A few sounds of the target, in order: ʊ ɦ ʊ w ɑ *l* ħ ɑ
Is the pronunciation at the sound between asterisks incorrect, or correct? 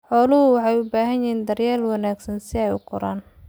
incorrect